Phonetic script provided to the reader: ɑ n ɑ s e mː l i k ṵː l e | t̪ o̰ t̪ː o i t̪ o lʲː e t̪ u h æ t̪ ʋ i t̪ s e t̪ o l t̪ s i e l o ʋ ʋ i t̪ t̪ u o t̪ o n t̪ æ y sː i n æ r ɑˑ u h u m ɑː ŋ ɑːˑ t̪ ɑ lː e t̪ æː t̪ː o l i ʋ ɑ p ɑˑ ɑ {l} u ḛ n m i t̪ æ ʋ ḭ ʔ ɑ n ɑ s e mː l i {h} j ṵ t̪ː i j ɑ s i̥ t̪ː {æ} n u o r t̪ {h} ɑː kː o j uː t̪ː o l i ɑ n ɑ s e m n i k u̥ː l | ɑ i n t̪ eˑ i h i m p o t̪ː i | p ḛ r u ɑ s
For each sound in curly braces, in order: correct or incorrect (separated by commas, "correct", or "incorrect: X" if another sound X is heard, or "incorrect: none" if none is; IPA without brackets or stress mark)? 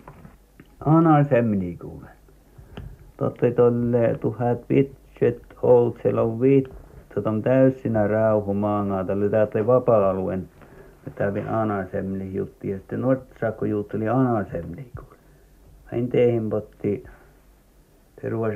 correct, correct, incorrect: e, incorrect: s